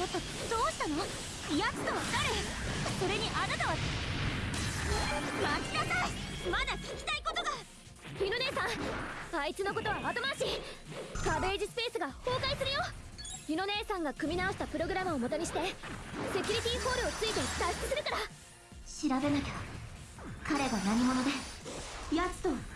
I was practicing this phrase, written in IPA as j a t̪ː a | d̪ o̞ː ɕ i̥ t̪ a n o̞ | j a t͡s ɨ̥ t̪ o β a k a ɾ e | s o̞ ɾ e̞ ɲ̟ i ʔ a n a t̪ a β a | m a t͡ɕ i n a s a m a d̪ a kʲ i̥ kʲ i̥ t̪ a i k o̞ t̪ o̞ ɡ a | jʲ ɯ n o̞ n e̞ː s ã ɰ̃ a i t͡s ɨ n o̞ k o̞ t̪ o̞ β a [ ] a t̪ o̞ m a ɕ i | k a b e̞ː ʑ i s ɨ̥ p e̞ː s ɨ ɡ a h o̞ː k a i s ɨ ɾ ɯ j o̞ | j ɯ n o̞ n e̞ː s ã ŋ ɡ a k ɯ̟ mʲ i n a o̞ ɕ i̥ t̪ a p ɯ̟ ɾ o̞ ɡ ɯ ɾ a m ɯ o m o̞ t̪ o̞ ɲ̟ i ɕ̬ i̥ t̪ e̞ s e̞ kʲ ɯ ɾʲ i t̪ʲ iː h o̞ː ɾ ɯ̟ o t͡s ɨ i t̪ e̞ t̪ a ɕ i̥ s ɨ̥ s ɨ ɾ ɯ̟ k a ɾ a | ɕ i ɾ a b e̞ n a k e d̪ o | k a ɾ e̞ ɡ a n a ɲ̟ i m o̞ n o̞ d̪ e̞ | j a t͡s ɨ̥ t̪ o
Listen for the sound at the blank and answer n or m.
m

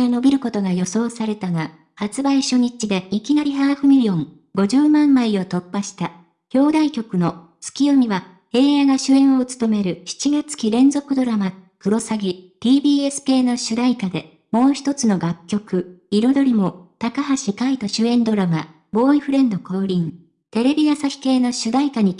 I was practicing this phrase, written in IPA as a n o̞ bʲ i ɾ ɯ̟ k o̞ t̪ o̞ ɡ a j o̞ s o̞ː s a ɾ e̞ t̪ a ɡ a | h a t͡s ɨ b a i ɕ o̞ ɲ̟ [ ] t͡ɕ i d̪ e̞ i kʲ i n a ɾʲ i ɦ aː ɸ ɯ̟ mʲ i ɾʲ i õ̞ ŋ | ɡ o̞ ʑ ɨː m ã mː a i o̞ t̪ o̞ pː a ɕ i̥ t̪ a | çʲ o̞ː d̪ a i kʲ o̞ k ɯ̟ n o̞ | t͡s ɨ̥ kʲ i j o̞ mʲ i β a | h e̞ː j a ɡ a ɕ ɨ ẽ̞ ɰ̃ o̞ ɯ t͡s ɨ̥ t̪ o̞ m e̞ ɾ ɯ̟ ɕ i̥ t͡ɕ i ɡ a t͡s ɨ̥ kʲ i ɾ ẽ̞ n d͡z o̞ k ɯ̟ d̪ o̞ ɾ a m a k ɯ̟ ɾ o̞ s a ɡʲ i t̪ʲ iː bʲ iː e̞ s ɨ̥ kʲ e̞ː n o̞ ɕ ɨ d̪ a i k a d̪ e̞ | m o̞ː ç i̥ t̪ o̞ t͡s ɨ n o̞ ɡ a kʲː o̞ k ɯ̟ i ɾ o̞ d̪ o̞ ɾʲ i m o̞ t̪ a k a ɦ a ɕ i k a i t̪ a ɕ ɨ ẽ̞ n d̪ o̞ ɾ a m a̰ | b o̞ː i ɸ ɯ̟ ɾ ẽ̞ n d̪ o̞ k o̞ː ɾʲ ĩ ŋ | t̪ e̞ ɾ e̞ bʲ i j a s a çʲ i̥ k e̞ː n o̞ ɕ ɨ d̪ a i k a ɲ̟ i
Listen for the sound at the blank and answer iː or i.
i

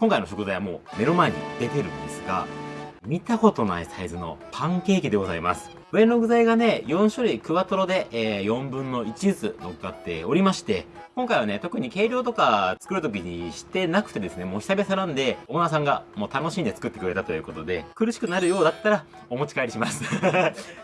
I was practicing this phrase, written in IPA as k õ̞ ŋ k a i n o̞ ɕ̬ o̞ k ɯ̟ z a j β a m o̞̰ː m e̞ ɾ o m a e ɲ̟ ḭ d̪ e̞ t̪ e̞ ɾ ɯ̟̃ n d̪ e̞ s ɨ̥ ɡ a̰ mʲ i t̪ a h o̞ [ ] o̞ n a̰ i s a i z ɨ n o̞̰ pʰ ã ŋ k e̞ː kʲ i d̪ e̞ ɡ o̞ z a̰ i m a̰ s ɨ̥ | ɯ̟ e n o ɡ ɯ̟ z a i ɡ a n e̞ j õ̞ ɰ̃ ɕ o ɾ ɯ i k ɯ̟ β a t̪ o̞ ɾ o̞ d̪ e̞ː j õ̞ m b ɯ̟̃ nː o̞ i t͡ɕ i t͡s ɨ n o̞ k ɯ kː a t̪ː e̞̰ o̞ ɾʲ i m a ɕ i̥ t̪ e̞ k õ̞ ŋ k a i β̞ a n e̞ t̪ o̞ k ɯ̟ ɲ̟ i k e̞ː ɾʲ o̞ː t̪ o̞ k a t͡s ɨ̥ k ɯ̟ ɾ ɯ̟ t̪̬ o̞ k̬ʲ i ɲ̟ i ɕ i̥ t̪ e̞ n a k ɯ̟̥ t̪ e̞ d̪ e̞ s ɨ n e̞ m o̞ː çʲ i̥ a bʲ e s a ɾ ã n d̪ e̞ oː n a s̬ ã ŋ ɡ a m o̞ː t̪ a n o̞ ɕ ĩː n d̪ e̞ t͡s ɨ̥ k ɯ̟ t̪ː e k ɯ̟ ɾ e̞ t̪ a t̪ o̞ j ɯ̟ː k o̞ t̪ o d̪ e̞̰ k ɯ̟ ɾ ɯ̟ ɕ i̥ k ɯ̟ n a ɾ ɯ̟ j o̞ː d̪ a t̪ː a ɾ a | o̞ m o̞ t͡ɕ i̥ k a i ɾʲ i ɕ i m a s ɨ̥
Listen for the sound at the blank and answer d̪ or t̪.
t̪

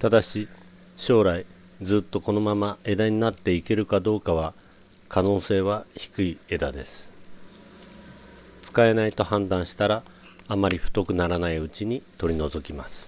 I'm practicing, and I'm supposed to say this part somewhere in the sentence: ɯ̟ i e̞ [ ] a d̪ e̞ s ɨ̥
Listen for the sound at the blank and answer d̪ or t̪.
d̪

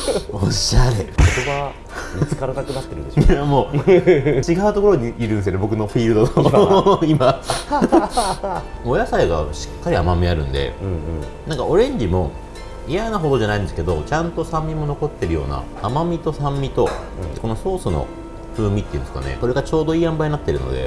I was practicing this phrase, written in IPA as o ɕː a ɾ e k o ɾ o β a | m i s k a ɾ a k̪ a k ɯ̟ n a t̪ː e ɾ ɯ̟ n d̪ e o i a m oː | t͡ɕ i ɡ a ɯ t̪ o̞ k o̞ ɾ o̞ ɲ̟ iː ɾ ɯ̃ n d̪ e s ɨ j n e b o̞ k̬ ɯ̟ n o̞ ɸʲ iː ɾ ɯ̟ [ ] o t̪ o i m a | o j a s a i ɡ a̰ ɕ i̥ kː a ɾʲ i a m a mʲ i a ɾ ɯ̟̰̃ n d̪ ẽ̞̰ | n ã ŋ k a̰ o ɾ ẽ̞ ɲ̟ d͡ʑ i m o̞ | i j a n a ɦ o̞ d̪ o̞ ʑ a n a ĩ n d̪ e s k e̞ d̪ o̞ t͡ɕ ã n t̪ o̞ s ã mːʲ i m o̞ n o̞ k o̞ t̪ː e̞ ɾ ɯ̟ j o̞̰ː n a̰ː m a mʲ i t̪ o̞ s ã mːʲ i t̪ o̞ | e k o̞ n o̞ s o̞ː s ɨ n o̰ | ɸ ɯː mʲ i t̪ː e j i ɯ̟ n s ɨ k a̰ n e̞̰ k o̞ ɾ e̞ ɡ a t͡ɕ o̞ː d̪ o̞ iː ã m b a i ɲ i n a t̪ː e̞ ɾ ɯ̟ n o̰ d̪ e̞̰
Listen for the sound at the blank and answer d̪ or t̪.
d̪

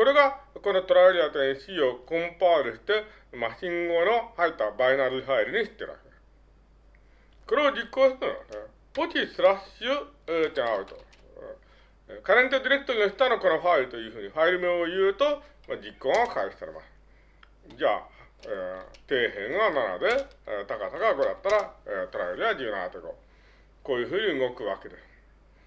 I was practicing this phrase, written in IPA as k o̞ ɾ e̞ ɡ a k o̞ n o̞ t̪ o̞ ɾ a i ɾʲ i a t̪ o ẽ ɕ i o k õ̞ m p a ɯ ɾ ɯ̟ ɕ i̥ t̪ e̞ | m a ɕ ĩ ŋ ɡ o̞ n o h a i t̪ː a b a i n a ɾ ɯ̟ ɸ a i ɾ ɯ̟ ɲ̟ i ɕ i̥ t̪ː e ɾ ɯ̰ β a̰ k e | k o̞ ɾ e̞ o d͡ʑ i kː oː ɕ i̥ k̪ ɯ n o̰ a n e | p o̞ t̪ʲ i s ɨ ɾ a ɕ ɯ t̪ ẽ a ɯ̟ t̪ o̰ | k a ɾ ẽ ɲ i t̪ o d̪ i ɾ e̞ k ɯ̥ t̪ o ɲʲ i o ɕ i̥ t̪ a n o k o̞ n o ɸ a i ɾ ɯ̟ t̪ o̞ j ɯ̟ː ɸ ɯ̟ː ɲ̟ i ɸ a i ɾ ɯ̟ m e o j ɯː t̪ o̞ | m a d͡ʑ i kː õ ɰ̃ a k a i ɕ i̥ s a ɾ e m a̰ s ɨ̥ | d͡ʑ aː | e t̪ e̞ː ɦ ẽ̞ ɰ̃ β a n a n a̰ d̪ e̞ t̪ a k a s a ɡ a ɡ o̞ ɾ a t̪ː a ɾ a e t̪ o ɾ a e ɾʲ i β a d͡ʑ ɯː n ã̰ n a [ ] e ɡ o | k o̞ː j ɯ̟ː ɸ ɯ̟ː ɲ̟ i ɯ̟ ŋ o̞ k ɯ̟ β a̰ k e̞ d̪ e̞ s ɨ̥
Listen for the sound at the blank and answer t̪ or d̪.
t̪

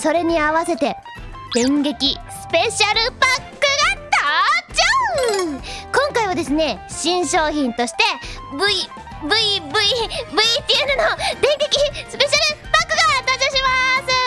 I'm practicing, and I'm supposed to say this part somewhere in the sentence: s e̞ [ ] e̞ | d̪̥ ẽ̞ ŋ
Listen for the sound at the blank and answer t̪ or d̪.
t̪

